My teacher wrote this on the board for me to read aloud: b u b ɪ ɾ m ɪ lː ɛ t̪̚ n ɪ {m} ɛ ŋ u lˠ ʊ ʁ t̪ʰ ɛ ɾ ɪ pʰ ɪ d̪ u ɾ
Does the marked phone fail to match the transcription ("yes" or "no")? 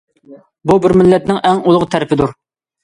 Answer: yes